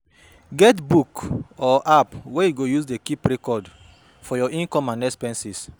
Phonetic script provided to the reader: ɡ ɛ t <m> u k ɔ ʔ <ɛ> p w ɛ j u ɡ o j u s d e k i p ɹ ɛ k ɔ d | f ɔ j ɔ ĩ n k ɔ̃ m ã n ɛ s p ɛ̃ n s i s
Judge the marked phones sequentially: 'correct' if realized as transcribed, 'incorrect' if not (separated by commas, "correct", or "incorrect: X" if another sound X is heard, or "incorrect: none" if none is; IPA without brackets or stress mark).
incorrect: b, incorrect: a